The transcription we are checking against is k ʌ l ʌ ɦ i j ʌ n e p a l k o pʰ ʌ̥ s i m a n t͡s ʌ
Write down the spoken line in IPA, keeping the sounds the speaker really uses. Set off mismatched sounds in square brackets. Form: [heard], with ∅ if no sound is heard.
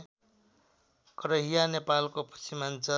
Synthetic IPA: k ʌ [ɾ] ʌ ɦ i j [a] n e p a l k o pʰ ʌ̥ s i m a n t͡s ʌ

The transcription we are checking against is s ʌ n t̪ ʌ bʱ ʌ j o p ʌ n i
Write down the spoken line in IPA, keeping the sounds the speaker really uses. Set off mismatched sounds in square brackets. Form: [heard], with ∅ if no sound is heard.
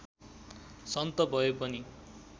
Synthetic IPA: s ʌ n t̪ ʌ bʱ ʌ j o p ʌ n i

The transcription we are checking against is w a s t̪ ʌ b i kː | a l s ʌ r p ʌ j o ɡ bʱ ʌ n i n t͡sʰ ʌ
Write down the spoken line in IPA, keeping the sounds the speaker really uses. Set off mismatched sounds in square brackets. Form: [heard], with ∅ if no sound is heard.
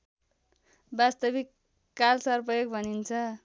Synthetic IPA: [b] a s t̪ ʌ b i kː | a l s ʌ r p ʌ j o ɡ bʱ ʌ n i n t͡sʰ ʌ

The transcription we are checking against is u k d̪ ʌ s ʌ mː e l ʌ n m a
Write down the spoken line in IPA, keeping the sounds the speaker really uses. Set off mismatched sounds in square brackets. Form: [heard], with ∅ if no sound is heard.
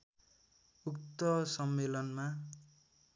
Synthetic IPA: u k [t̪] ʌ s ʌ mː e l ʌ n m a

